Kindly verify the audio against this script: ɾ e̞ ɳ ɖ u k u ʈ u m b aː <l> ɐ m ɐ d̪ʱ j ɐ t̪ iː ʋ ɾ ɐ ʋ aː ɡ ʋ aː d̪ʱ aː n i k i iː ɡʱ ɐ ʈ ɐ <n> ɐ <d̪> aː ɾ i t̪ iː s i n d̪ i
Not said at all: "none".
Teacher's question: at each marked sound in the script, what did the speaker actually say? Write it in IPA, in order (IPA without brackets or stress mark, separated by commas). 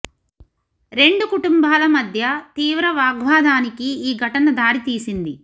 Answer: l, n, d̪